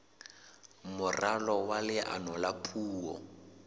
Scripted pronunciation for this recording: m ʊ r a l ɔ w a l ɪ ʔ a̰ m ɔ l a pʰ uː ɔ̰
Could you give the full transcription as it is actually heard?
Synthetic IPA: m ʊ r a l ɔ w a l ɪ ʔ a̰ n ɔ l a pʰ uː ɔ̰